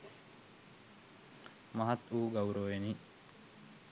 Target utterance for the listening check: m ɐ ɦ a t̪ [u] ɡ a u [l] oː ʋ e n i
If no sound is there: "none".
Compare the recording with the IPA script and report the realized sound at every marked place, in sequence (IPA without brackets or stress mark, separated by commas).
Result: uː, ɾ